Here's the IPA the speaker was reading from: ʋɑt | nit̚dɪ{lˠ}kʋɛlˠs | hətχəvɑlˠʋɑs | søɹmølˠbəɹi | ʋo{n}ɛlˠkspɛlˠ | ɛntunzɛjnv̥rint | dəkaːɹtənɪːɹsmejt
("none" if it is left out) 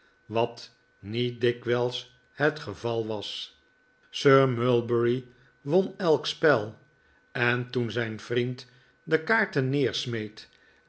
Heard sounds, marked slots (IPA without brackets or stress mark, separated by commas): none, n